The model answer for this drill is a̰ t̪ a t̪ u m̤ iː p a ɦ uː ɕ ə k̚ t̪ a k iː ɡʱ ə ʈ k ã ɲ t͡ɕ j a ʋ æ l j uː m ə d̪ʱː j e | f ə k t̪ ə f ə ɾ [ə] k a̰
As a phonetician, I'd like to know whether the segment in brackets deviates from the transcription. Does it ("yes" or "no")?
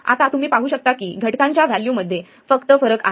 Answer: no